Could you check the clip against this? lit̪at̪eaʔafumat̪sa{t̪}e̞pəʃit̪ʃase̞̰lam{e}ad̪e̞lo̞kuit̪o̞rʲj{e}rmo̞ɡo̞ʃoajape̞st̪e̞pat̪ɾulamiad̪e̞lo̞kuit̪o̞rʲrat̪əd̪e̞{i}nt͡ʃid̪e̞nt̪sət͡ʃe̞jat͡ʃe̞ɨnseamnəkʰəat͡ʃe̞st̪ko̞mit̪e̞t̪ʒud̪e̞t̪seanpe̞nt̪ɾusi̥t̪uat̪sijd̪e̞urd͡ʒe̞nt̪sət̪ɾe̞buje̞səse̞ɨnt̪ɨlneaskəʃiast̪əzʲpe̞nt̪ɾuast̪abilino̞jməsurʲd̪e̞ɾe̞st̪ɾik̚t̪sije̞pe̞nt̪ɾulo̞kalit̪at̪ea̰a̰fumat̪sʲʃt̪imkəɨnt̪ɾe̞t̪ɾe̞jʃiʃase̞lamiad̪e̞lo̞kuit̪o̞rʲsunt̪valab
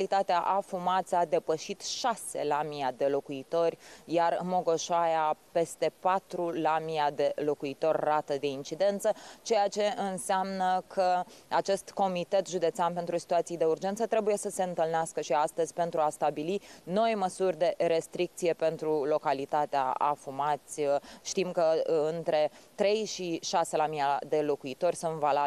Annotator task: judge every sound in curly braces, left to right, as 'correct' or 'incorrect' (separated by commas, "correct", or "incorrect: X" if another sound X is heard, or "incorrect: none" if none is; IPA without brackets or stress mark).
incorrect: d̪, incorrect: i, incorrect: a, correct